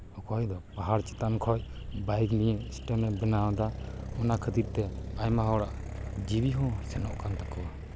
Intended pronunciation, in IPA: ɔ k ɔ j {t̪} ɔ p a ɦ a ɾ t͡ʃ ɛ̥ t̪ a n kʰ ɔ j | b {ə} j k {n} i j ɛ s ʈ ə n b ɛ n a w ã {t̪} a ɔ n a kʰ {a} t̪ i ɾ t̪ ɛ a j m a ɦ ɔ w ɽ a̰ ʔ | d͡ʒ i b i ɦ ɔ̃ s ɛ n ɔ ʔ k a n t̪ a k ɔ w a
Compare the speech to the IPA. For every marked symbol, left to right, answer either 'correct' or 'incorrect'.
incorrect, incorrect, correct, incorrect, incorrect

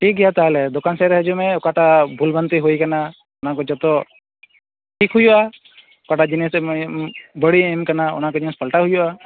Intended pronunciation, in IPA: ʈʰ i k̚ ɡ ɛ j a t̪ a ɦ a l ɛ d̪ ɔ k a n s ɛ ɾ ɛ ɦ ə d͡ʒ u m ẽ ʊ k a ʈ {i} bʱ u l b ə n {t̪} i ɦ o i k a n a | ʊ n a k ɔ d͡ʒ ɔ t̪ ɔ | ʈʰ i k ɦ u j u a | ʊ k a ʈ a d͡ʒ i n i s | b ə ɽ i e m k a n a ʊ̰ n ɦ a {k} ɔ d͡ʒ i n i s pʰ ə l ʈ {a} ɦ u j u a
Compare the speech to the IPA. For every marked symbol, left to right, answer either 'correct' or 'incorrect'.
incorrect, correct, correct, correct

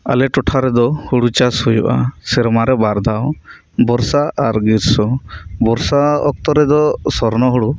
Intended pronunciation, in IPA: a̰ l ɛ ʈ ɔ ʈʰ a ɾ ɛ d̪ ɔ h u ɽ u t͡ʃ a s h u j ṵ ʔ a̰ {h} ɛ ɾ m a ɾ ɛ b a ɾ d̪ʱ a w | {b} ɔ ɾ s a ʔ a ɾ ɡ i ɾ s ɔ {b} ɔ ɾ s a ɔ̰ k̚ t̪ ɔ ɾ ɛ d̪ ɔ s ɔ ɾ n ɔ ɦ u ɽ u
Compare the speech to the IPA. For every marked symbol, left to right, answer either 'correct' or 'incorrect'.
incorrect, correct, correct

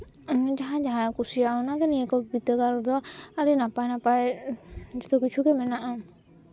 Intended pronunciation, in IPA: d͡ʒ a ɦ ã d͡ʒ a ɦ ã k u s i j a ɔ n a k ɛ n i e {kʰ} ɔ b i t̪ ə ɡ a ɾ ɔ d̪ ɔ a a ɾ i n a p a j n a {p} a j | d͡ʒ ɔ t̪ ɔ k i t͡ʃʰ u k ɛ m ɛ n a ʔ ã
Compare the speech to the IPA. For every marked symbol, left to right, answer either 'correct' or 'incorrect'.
incorrect, correct

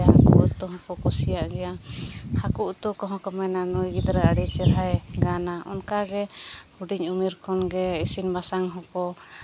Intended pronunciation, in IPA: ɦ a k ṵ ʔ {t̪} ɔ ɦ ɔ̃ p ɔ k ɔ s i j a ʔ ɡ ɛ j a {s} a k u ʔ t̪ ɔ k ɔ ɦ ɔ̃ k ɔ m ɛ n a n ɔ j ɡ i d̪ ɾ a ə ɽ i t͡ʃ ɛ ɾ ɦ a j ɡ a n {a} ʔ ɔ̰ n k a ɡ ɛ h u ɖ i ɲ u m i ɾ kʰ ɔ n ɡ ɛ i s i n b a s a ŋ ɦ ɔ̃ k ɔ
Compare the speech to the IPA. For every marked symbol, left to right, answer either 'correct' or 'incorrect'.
correct, incorrect, correct

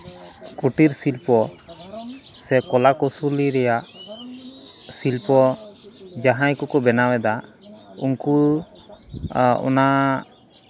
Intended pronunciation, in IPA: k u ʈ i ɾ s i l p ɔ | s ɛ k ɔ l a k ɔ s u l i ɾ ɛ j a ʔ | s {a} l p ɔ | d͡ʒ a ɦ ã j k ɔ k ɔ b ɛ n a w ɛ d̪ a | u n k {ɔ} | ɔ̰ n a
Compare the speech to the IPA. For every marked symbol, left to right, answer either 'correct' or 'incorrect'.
incorrect, incorrect

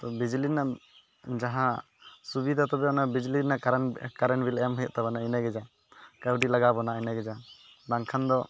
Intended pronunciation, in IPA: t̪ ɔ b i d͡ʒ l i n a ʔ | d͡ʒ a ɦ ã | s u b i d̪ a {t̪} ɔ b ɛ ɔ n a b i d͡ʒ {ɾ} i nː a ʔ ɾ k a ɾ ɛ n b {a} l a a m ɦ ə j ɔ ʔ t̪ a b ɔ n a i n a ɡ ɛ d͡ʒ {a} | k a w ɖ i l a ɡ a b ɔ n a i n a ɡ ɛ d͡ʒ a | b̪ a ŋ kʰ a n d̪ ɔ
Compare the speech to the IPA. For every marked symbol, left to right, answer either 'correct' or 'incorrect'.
correct, incorrect, incorrect, correct

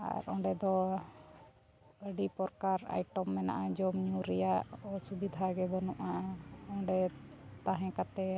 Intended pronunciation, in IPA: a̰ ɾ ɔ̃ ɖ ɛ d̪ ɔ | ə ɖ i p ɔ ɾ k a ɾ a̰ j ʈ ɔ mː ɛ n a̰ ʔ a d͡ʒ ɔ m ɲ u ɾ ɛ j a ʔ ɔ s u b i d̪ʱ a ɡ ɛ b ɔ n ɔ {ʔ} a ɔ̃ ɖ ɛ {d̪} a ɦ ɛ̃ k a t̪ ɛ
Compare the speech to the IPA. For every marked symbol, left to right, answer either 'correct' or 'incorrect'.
correct, incorrect

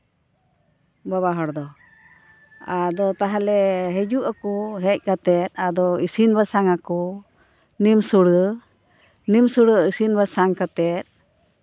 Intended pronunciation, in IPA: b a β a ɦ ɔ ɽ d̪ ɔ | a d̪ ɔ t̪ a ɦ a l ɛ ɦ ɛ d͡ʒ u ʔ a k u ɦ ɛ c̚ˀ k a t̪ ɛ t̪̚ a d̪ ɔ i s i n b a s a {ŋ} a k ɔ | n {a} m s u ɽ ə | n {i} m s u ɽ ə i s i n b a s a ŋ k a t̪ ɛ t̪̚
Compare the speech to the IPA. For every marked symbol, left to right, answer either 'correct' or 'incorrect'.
correct, incorrect, correct

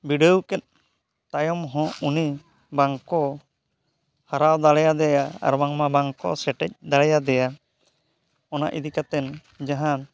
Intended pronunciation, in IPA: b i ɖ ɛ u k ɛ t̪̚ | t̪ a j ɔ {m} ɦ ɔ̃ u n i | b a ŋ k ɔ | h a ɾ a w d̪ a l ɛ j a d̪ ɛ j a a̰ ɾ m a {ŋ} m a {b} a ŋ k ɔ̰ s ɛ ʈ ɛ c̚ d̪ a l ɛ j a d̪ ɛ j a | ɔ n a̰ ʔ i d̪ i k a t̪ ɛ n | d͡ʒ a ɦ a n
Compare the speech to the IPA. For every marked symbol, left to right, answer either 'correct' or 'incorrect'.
correct, correct, correct

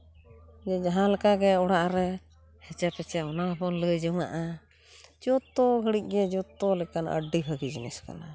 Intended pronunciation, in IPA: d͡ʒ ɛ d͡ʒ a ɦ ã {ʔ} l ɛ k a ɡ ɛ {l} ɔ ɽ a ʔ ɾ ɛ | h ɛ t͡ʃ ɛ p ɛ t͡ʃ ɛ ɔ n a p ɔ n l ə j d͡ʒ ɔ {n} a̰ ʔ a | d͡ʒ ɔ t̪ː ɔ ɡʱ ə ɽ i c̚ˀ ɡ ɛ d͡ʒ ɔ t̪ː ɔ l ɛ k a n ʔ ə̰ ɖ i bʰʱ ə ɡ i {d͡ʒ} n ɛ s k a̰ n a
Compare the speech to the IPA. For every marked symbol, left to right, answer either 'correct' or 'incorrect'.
incorrect, incorrect, incorrect, correct

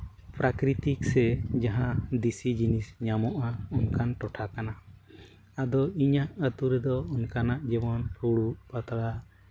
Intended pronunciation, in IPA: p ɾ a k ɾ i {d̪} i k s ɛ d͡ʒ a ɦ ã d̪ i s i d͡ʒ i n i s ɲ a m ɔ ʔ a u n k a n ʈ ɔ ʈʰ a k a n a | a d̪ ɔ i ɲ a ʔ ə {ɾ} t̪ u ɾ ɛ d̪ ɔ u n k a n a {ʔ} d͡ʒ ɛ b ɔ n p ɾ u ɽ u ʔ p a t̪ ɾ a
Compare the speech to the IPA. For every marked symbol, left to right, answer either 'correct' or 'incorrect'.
incorrect, incorrect, correct

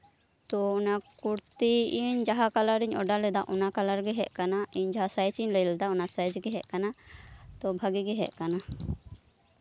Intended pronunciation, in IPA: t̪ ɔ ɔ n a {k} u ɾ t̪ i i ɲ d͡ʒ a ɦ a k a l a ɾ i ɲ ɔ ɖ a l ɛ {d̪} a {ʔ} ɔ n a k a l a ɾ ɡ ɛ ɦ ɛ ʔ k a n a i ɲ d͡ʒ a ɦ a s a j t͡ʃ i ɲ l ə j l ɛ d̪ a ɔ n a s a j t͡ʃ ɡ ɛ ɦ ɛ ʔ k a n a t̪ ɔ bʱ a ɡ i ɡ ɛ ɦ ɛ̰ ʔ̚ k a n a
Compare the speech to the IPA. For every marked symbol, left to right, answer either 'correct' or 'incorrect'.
correct, correct, correct

